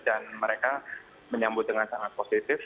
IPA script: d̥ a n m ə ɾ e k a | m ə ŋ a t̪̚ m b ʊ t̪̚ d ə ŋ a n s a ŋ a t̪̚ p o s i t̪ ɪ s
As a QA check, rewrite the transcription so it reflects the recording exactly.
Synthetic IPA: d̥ a n m ə ɾ e k a | m ə ɲ a m b ʊ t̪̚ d ə ŋ a n s a ŋ a t̪̚ p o s i t̪ ɪ f